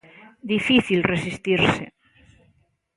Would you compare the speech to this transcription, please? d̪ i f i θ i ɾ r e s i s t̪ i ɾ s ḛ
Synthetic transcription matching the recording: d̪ i f i θ i l r e s i s t̪ i ɾ s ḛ